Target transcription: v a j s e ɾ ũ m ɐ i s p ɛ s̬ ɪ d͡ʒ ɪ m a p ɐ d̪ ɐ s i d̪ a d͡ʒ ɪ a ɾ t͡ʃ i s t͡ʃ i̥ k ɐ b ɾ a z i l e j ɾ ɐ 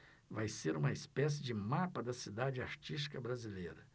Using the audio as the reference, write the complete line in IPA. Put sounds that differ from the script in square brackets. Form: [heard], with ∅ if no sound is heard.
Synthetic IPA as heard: v a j s e ɾ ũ m ɐ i s p ɛ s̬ ɪ d͡ʒ ɪ m a p ɐ d̪ ɐ s i d̪ a d͡ʒ ɪ a ɾ t͡ʃ i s t͡ʃ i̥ k ɐ b ɾ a z i l e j ɾ ɐ